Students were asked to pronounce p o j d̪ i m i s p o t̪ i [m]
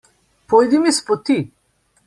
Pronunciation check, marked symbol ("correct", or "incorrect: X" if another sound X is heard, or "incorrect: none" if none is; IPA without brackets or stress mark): incorrect: none